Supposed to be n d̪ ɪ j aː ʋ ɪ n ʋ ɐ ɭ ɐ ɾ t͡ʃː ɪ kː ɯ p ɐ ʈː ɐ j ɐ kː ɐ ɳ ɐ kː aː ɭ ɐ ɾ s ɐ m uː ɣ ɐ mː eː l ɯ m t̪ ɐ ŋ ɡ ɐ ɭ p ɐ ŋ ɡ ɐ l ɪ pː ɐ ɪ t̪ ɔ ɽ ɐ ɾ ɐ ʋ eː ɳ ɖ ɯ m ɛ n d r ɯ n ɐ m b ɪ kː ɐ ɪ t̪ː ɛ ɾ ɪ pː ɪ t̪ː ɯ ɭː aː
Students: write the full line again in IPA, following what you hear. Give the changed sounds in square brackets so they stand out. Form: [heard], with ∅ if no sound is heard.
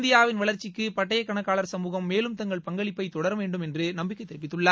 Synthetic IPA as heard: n d̪ ɪ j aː ʋ ɪ n ʋ ɐ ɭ ɐ ɾ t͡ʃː ɪ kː ɯ p ɐ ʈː ɐ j ɐ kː ɐ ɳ ɐ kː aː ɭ ɐ ɾ s ɐ m uː ɣ ɐ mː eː l ɯ m t̪ ɐ ŋ ɡ ɐ ɭ p ɐ ŋ ɡ ɐ [ɭ] ɪ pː ɐ ɪ t̪ ɔ ɽ ɐ ɾ ɐ ʋ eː ɳ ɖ ɯ m ɛ n d r ɯ n ɐ m b ɪ kː ɐ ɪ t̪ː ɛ ɾ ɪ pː ɪ t̪ː ɯ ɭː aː